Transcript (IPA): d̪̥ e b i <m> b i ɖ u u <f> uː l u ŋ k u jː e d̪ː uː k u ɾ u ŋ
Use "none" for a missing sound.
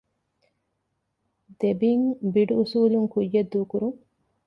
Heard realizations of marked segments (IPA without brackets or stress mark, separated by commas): ŋ, s